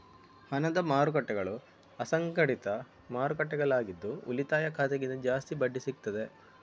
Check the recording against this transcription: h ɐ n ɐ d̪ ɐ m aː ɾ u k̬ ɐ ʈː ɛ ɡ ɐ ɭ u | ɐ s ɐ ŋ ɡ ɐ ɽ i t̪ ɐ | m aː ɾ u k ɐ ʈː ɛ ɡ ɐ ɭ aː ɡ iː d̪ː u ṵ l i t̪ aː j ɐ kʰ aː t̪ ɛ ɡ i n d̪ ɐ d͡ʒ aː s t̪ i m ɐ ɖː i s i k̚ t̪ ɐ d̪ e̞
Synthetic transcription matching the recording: h ɐ n ɐ d̪ ɐ m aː ɾ u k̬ ɐ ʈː ɛ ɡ ɐ ɭ u | ɐ s ɐ ŋ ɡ ɐ ɽ i t̪ ɐ | m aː ɾ u k ɐ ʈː ɛ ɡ ɐ ɭ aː ɡ i d̪ː u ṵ l i t̪ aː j ɐ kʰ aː t̪ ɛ ɡ i n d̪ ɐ d͡ʒ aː s t̪ i b ɐ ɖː i s i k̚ t̪ ɐ d̪ e̞